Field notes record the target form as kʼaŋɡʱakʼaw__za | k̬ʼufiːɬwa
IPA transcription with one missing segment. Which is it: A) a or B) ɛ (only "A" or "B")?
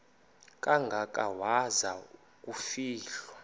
A